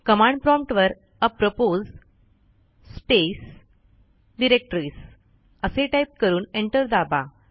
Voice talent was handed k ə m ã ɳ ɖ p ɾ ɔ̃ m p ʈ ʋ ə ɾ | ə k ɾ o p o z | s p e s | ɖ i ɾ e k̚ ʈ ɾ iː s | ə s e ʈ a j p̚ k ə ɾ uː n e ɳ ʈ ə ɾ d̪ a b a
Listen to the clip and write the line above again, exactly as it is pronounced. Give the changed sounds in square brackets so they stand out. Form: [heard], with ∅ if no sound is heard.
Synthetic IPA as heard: k ə m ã ɳ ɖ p ɾ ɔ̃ m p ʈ ʋ ə ɾ | ə [p] ɾ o p o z | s p e s | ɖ i ɾ e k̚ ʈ ɾ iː s | ə s e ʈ a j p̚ k ə ɾ uː n e ɳ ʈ ə ɾ d̪ a b a

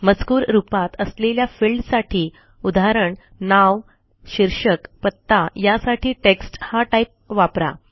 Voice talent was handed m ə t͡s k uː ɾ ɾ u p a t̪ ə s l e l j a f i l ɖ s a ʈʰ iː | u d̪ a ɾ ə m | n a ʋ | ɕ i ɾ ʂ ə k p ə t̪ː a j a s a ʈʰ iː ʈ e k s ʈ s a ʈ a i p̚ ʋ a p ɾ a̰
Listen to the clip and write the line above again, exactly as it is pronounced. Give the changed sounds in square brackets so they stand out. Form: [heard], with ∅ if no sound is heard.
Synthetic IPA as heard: m ə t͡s k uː ɾ ɾ u p a t̪ ə s l e l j a f i l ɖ s a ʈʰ iː | u d̪ a ɾ ə [ɳ] | n a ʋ | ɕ i ɾ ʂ ə k p ə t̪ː a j a s a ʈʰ iː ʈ e k s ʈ [h] a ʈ a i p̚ ʋ a p ɾ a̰

